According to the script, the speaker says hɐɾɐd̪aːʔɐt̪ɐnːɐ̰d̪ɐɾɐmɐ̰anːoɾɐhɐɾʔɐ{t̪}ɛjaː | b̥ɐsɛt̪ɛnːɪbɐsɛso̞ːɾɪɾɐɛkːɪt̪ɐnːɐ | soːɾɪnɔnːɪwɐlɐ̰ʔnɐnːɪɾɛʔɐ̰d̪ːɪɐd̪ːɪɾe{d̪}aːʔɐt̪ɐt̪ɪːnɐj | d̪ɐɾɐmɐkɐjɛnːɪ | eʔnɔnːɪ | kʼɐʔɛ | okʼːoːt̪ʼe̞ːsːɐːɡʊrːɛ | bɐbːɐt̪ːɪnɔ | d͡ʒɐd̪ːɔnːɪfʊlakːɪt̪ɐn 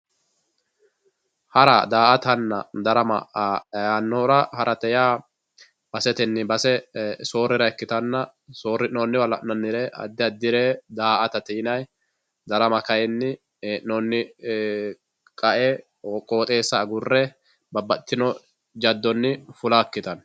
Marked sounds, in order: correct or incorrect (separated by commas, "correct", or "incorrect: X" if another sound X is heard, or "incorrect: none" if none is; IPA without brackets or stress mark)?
correct, correct